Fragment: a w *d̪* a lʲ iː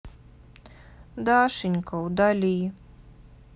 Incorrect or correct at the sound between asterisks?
correct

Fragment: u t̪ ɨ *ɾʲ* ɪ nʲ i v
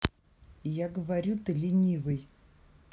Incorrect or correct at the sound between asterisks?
incorrect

